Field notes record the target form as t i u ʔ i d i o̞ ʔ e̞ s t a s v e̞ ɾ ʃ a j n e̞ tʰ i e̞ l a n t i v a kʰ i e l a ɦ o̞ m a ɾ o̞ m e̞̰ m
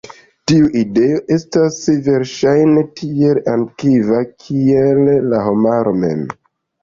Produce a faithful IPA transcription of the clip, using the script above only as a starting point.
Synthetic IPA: t i u ʔ i d e o̞ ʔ e̞ s t a s v e̞ ɾ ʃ a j n e̞ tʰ i e̞ l a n k i v a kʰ i e lː a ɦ o̞ m a ɾ o̞ m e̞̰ m